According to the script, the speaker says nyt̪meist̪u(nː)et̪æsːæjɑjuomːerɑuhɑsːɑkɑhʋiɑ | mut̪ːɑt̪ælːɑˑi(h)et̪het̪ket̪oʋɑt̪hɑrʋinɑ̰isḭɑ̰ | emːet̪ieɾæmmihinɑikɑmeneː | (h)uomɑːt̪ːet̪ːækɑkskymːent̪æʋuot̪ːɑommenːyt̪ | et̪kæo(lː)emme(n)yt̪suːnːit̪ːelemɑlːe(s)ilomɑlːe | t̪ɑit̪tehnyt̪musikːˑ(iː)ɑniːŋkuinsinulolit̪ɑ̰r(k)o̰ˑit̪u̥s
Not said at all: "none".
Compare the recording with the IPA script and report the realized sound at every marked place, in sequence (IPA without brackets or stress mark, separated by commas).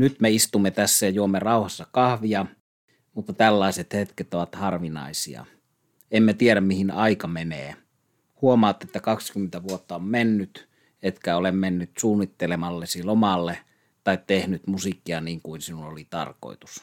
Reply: mː, s, h, l, nː, s, i, k